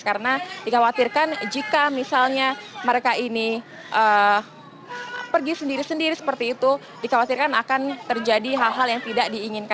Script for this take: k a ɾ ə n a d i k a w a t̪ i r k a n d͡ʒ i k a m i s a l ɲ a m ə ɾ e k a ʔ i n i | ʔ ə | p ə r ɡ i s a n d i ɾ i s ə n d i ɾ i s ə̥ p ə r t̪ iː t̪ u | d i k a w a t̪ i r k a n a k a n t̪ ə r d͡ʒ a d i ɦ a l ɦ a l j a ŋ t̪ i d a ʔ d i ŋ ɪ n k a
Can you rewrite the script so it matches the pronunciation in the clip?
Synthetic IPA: k a ɾ ə n a d i k a w a t̪ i r k a n d͡ʒ i k a m i s a l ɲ a m ə ɾ e k a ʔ i n i | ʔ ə | p ə r ɡ i s ə n d i ɾ i s ə n d i ɾ i s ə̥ p ə r t̪ iː t̪ u | d i k a w a t̪ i r k a n a k a n t̪ ə r d͡ʒ a d i ɦ a l ɦ a l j a ŋ t̪ i d a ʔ d iː ŋ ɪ n k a